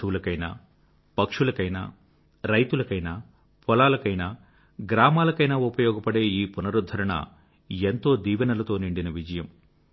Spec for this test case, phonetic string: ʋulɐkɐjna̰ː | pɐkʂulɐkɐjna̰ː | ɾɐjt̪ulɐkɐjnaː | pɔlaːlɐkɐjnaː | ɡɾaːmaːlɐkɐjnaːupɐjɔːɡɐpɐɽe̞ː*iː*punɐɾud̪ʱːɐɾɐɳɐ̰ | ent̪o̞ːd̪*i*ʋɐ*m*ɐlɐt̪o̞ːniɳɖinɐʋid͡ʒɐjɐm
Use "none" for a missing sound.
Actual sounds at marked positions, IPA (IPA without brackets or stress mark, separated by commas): iː, iː, n